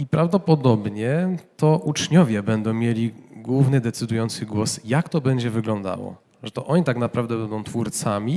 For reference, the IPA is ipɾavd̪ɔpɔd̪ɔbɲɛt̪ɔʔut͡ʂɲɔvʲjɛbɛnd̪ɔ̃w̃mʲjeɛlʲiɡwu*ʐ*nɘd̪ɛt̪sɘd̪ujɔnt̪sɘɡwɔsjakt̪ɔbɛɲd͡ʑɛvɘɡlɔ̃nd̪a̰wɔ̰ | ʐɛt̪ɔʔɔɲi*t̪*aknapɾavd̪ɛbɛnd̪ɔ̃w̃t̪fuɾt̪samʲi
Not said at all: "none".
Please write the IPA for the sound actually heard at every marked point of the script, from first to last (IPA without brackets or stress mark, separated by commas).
v, t̪